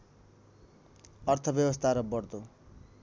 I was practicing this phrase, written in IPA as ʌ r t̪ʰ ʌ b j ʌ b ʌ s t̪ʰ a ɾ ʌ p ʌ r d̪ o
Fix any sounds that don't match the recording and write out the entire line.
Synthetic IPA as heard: ʌ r t̪ʰ ʌ b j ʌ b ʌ s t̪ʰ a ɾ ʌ b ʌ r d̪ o